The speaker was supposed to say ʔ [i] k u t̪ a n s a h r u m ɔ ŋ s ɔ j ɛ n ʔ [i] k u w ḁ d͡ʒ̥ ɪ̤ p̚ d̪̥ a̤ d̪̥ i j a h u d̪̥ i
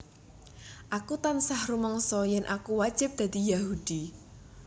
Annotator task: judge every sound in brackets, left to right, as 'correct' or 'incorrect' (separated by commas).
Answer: incorrect, incorrect